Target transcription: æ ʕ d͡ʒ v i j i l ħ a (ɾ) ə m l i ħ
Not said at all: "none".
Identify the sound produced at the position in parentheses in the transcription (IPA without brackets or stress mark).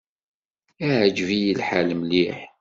l